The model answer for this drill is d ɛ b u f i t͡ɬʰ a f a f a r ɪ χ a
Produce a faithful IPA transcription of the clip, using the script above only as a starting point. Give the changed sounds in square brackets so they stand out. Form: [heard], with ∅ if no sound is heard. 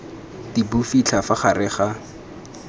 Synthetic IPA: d [i] b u f i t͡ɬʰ a f a [χ] a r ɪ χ a